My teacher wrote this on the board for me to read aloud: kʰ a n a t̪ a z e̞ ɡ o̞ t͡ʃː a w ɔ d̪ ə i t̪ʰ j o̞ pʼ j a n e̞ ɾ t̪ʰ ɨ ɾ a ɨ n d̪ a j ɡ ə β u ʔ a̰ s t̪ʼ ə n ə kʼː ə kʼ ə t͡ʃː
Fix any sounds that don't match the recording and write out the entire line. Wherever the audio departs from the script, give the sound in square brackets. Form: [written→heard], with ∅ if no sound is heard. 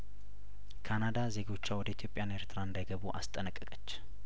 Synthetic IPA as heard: kʰ a n a [t̪→d̪] a z e̞ ɡ o̞ t͡ʃː a w ɔ d̪ ə i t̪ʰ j o̞ pʼ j a n e̞ ɾ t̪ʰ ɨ ɾ a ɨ n d̪ a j ɡ ə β u ʔ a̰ s t̪ʼ ə n ə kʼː ə kʼ ə t͡ʃː